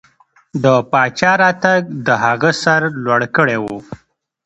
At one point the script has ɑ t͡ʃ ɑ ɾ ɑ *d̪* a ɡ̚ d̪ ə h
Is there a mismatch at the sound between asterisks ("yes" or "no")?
yes